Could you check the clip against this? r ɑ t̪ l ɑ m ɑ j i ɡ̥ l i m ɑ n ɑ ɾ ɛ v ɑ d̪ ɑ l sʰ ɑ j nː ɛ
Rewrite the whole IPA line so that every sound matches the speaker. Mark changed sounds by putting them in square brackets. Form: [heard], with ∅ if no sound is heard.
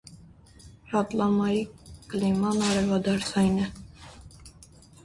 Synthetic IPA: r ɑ t̪ l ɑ m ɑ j i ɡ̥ l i m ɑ n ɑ ɾ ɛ v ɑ d̪ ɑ [ɾ] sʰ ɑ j [n] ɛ

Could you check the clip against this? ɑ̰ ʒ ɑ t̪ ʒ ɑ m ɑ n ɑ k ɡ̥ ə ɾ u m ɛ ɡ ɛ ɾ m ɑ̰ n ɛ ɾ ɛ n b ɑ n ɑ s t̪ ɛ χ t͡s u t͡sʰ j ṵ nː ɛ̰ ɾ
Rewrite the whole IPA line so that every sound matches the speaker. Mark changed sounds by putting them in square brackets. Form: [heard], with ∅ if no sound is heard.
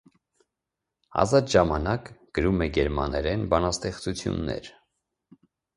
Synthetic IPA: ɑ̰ [z] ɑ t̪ ʒ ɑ m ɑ n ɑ k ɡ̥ ə ɾ u m ɛ ɡ ɛ ɾ m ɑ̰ n ɛ ɾ ɛ n b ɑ n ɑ s t̪ ɛ χ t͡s u t͡sʰ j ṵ nː ɛ̰ ɾ

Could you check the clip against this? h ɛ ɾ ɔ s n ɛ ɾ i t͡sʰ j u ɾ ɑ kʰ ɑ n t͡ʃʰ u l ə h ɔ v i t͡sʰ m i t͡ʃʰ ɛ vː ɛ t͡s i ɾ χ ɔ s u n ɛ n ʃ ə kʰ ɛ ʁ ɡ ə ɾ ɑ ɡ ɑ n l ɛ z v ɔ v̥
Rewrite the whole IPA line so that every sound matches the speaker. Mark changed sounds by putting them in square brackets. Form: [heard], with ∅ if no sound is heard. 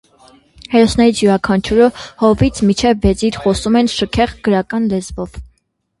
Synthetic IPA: h ɛ ɾ ɔ s n ɛ ɾ i t͡sʰ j u ɾ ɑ kʰ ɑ n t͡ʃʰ u [ɾ] ə h ɔ v i t͡sʰ m i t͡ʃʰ ɛ vː ɛ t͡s i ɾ χ ɔ s u [m] ɛ n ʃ ə kʰ ɛ ʁ ɡ ə ɾ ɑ [k] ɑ n l ɛ z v ɔ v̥

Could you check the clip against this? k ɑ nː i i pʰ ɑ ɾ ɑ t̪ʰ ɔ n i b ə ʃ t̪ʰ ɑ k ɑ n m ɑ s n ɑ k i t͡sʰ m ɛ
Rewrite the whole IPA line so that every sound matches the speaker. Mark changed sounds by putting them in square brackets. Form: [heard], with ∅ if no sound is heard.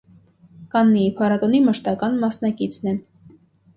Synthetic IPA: k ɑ nː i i pʰ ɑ ɾ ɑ [t̪] ɔ n i [m] ə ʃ [t̪] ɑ k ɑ n m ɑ s n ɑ k i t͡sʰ [n] ɛ

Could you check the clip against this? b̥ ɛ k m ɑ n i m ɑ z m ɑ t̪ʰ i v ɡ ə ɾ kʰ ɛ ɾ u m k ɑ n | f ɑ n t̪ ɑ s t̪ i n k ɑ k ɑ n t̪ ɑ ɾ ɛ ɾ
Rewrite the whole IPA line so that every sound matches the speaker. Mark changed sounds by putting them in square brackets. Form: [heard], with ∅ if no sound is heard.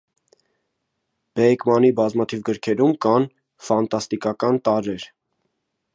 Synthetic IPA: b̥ ɛ k m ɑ n i [b] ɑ z m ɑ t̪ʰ i v ɡ ə ɾ kʰ ɛ ɾ u m k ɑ n | f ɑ n t̪ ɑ s t̪ i [∅] k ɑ k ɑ n t̪ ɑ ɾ ɛ ɾ

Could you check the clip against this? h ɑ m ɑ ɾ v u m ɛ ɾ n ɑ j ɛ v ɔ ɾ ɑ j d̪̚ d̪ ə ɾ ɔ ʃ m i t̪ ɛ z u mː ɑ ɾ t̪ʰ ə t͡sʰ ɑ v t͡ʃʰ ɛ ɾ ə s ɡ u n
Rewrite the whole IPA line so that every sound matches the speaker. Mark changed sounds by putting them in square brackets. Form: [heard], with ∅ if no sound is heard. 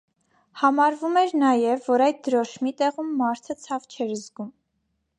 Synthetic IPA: h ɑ m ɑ ɾ v u m ɛ ɾ n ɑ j ɛ [vː] ɔ ɾ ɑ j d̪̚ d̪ ə ɾ ɔ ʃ m i t̪ ɛ [ʁ] u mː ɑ ɾ t̪ʰ ə t͡sʰ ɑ v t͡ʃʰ ɛ ɾ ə [z] ɡ u [m]

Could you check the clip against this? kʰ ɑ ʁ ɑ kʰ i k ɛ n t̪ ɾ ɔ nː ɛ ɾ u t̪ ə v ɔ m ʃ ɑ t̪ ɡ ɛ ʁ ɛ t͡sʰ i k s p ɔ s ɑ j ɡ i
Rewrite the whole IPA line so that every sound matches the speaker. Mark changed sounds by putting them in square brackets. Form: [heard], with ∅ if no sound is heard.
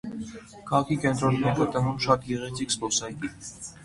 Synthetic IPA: kʰ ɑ ʁ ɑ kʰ i k ɛ n t̪ ɾ ɔ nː ɛ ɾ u t̪ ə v [u] m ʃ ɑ t̪ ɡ ɛ ʁ ɛ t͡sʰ i k s p ɔ s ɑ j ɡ i

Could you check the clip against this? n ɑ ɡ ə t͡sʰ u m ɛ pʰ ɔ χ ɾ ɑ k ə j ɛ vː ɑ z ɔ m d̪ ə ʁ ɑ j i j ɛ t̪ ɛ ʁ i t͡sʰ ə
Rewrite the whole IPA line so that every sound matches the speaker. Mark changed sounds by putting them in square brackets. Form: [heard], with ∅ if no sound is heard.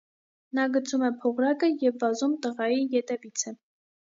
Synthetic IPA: n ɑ ɡ ə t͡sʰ u m ɛ pʰ ɔ [ʁ] ɾ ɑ k ə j ɛ vː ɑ z [u] m [t̪] ə ʁ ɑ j i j ɛ t̪ ɛ [v] i t͡sʰ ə

